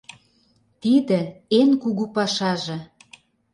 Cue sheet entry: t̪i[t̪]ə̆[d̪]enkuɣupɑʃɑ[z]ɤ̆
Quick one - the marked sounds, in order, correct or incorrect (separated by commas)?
incorrect, incorrect, incorrect